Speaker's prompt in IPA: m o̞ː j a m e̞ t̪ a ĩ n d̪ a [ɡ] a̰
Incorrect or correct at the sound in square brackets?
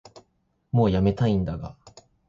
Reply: correct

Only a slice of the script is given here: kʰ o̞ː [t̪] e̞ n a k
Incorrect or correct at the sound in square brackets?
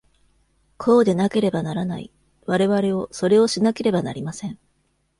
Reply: incorrect: d̪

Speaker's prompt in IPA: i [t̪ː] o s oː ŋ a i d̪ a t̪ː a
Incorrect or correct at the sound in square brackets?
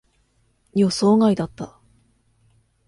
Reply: incorrect: none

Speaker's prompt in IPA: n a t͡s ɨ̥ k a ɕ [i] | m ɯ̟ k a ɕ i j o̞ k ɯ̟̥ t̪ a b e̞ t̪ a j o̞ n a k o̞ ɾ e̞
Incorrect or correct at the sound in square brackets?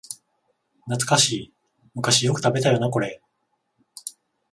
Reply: incorrect: iː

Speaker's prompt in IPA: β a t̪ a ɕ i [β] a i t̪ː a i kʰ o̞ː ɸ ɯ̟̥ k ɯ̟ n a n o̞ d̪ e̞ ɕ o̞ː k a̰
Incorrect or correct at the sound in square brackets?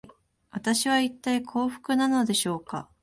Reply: correct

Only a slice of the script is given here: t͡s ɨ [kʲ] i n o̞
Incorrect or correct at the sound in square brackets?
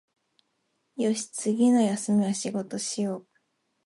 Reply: incorrect: ɡʲ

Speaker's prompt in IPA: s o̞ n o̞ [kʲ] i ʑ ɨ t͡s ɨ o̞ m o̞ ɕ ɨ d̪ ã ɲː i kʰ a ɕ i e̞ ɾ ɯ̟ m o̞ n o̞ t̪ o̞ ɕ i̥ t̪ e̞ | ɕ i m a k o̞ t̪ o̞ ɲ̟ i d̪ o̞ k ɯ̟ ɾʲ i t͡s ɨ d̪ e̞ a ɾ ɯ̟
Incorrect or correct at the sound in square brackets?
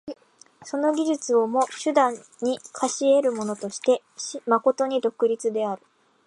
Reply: incorrect: ɡʲ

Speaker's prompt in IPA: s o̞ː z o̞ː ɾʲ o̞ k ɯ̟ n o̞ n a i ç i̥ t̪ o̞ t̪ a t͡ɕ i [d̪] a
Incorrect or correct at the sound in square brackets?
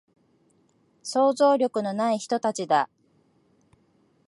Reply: correct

